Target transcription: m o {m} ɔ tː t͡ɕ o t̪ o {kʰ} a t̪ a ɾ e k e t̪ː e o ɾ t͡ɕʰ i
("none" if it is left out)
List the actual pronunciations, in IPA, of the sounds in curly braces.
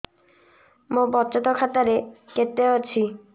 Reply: b, kʰ

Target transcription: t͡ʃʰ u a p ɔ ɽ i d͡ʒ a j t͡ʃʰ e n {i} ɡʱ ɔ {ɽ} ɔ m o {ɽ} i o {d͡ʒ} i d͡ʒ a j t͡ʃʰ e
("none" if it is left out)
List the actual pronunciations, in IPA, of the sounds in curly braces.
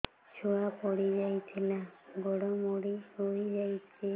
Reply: a, ɽ, ɽ, none

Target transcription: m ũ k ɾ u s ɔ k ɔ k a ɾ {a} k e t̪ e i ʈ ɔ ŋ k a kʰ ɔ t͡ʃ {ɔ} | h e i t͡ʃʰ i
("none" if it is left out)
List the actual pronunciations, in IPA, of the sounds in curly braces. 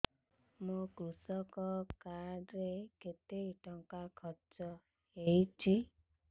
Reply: e, ɔ

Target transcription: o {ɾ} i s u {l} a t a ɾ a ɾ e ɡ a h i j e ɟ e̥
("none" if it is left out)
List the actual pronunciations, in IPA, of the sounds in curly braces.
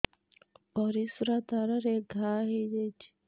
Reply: ɾ, ɾ

